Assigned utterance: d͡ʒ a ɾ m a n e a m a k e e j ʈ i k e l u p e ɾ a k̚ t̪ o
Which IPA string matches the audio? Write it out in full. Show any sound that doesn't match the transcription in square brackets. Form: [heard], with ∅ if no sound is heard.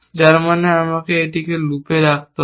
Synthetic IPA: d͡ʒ a ɾ m a n e a m a k e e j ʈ i k e l u p e ɾ a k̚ t̪ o